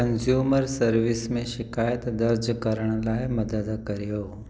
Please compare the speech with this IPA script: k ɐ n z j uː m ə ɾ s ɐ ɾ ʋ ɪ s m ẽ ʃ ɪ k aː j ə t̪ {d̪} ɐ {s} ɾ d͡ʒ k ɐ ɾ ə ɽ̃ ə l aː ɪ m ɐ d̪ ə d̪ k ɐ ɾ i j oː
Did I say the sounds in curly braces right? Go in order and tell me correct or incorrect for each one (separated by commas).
correct, incorrect